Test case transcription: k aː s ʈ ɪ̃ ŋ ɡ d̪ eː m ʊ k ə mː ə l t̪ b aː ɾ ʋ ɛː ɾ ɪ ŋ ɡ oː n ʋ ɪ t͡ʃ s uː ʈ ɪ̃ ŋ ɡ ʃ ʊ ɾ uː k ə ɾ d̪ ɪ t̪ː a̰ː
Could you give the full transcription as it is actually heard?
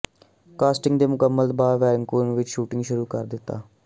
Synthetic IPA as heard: k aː s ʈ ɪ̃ ŋ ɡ d̪ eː m ʊ k ə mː ə l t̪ b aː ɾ ʋ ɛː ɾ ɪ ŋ k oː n ʋ ɪ t͡ʃ ʃ uː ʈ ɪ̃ ŋ ɡ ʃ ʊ ɾ uː k ə ɾ d̪ ɪ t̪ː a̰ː